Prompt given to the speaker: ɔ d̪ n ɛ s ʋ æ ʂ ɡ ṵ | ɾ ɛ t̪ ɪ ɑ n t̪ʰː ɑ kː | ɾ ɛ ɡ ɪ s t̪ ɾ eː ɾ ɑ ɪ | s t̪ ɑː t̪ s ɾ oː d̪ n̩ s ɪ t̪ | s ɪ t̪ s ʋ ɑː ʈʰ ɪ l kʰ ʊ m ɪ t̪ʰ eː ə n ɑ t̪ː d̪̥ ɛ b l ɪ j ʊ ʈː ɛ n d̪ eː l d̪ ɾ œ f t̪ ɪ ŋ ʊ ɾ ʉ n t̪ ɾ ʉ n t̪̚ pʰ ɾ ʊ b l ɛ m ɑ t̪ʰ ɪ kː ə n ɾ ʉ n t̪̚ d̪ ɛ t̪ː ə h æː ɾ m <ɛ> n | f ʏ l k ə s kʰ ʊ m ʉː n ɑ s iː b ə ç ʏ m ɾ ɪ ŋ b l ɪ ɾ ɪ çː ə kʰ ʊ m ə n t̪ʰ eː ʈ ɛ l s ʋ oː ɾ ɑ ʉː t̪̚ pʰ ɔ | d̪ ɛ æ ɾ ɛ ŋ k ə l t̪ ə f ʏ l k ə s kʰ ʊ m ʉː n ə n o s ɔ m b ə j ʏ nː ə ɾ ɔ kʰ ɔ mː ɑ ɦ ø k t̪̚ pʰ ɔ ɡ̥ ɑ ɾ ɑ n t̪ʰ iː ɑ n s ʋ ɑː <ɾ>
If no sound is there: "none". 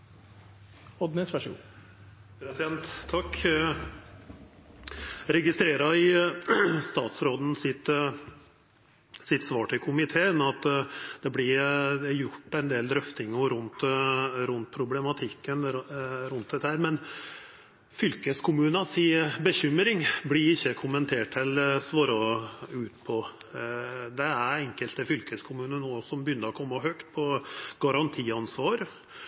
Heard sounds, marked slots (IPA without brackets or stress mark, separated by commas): ɛ, ɾ